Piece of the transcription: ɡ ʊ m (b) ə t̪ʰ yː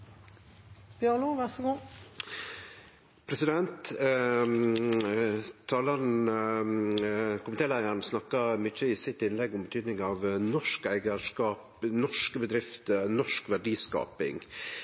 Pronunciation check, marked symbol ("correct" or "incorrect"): correct